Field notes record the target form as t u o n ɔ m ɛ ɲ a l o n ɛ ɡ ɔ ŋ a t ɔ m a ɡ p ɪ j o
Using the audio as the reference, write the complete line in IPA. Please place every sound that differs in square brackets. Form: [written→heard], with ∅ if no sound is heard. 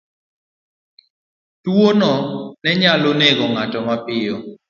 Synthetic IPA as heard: t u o n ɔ [m→n] ɛ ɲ a l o n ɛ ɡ ɔ ŋ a t ɔ m a [ɡ→∅] p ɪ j [o→ɔ]